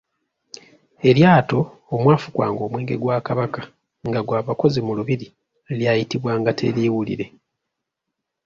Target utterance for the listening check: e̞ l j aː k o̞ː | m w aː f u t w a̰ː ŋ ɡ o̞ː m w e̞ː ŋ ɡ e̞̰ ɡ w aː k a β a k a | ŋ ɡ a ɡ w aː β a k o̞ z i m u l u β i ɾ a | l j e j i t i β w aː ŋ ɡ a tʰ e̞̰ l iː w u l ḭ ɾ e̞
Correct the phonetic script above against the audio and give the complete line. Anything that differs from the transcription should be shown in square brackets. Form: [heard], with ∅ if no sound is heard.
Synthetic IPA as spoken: e̞ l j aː [t] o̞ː | m w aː f u [k] w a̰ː ŋ ɡ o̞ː m w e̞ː ŋ ɡ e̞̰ ɡ w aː k a β a k a | ŋ ɡ a ɡ w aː β a k o̞ z i m u l u β i ɾ [i] | l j [a] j i t i β w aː ŋ ɡ a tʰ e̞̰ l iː w u l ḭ ɾ e̞